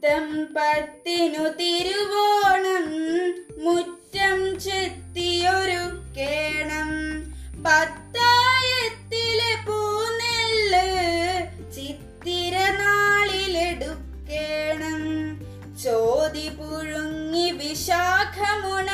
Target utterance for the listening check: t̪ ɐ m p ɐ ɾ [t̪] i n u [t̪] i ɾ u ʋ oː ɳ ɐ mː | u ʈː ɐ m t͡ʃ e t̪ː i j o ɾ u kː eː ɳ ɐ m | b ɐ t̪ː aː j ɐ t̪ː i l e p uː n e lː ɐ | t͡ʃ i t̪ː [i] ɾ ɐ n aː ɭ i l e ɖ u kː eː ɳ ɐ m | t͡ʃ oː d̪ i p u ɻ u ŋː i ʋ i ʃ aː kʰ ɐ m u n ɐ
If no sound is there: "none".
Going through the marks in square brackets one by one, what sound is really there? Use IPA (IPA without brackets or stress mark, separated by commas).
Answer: t̪, t̪, i